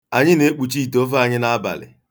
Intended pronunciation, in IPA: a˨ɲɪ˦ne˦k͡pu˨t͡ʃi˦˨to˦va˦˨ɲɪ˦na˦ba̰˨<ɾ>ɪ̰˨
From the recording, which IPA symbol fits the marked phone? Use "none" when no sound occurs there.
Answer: l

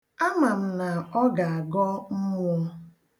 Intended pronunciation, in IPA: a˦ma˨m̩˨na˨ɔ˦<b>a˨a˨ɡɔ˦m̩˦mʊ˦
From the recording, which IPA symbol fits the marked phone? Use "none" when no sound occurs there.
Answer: ɡ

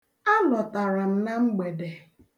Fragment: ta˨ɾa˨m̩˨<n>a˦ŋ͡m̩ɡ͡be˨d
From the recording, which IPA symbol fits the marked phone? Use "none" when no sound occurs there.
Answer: n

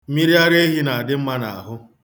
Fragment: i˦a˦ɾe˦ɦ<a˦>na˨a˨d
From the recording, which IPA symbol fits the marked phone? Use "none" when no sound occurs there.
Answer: i˦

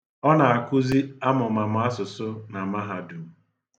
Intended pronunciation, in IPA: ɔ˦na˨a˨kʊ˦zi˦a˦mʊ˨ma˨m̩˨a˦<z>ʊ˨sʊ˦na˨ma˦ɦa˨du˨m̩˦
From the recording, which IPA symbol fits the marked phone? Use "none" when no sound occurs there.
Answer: s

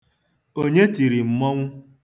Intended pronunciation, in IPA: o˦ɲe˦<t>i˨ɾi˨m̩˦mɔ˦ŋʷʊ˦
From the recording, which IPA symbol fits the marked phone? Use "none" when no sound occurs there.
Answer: t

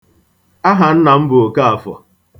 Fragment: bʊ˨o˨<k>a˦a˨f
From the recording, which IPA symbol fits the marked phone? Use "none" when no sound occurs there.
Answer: k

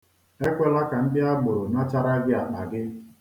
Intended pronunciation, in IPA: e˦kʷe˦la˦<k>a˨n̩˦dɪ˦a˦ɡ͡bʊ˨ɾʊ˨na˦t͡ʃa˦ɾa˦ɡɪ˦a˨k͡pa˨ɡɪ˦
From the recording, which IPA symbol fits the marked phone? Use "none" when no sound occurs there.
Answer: k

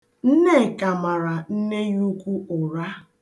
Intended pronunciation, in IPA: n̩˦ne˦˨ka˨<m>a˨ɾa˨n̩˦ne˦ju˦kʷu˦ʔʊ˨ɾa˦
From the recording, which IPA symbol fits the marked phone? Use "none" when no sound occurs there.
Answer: m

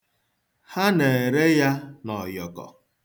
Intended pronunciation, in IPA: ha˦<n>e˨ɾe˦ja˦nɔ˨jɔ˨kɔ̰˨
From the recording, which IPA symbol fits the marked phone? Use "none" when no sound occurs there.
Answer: n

